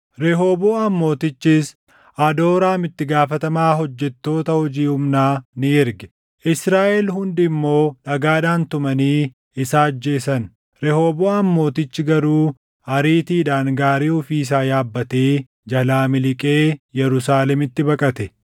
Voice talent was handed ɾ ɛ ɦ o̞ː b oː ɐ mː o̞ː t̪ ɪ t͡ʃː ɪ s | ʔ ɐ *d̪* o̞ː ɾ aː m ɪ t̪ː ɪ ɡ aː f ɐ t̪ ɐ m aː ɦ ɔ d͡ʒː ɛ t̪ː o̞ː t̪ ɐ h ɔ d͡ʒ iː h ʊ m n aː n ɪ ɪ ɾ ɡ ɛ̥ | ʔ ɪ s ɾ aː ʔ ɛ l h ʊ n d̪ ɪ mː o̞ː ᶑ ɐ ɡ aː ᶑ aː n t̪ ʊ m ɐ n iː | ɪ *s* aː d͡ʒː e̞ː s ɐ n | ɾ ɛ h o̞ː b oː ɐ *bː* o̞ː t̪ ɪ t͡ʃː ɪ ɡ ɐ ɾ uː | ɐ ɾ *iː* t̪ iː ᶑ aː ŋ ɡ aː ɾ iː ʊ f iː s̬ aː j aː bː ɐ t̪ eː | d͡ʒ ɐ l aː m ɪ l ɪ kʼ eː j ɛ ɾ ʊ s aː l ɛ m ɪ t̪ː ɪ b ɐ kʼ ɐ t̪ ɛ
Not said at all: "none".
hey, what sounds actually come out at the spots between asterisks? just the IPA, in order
d̪, s, mː, iː

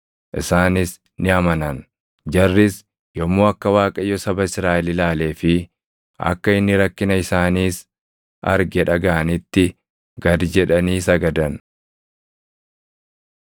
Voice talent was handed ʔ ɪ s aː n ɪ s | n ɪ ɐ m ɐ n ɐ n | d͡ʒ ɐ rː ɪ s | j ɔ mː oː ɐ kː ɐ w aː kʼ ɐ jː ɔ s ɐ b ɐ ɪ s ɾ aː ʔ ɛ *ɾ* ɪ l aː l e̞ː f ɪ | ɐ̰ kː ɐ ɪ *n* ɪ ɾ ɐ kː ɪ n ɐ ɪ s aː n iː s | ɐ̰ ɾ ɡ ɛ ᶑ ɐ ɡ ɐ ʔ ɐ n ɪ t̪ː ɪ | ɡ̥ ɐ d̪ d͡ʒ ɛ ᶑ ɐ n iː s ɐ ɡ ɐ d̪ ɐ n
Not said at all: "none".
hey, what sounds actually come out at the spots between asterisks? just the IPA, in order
l, nː

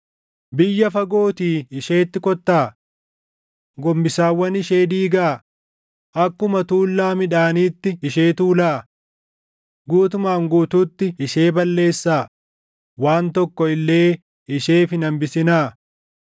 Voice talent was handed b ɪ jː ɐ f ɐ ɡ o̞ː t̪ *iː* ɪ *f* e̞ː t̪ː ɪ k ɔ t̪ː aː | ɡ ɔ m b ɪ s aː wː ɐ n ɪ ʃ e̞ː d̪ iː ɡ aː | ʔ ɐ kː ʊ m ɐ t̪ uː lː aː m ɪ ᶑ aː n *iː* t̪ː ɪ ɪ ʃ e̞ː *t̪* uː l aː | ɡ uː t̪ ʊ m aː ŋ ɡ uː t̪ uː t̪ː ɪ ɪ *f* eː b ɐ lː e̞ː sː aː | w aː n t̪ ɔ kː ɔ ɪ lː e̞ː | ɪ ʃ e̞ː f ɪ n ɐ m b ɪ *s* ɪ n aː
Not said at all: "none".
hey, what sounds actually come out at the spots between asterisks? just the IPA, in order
iː, ʃ, iː, t̪, ʃ, s

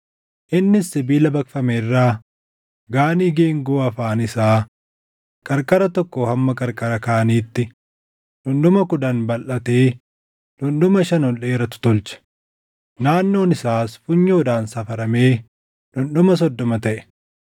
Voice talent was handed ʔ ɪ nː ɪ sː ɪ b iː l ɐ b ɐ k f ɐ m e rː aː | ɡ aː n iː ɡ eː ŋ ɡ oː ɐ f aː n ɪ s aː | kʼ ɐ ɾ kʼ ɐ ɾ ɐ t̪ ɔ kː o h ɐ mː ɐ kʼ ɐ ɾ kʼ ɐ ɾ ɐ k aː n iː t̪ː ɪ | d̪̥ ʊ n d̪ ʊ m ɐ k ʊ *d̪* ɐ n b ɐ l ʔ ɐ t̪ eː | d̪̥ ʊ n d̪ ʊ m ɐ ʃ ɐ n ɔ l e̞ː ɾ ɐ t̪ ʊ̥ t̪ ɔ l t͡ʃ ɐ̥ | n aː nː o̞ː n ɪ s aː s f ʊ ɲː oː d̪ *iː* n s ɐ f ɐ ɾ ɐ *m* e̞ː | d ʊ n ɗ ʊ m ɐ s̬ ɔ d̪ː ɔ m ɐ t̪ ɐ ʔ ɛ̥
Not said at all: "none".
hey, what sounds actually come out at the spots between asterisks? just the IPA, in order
d̪, aː, m

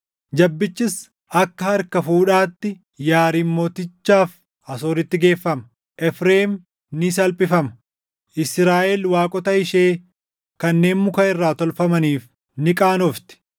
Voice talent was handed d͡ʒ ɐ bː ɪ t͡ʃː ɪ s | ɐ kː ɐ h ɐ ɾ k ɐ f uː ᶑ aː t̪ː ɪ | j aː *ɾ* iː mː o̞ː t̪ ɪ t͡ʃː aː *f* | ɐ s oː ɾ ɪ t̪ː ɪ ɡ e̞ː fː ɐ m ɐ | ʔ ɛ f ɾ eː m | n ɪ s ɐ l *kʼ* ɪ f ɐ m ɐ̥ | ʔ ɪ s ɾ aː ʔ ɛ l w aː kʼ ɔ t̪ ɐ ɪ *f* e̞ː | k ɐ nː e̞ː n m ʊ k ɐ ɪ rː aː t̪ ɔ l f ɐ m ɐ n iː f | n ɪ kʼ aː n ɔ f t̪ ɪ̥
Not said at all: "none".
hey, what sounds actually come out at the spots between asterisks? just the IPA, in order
ɾ, f, pʼ, ʃ

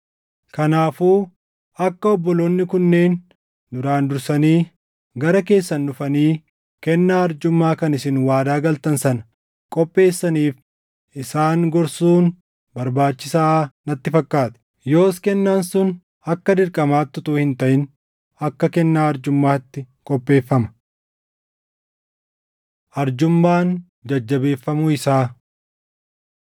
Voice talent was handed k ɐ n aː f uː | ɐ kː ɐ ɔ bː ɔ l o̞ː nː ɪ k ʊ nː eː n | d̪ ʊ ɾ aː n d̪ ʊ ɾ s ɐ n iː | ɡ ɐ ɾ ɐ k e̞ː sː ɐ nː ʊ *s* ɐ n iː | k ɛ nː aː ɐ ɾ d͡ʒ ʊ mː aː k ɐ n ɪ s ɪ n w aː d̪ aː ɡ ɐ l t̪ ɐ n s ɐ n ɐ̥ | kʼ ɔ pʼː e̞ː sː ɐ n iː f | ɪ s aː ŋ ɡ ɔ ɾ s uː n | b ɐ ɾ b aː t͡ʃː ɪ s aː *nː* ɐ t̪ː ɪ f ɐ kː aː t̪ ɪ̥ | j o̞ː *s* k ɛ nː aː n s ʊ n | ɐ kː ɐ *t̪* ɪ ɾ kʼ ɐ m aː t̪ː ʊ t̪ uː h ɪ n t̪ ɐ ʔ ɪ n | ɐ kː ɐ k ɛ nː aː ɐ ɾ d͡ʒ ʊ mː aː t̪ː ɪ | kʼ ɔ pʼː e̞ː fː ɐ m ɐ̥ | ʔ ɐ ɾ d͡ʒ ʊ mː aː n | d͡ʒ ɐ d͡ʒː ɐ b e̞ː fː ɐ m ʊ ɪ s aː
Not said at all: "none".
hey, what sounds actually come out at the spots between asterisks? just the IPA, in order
f, n, s, d̪

